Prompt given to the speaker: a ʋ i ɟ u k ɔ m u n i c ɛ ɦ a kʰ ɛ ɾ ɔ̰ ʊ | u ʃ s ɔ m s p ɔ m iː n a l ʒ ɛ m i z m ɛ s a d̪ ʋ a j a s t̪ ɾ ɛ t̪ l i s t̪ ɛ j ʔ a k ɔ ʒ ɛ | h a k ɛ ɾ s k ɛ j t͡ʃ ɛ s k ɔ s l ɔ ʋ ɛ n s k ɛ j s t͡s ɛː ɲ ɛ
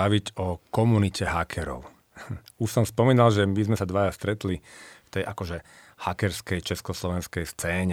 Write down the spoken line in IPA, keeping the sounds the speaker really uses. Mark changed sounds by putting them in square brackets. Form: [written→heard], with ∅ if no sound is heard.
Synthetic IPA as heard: a ʋ i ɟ [u→ɔ] k ɔ m u n i c ɛ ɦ a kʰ ɛ ɾ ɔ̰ ʊ | u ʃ s ɔ m s p ɔ m iː n a l ʒ ɛ m i z m ɛ s a d̪ ʋ a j a s t̪ ɾ ɛ t̪ l i [s→f] t̪ ɛ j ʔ a k ɔ ʒ ɛ | h a k ɛ ɾ s k ɛ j t͡ʃ ɛ s k ɔ s l ɔ ʋ ɛ n s k ɛ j s t͡s ɛː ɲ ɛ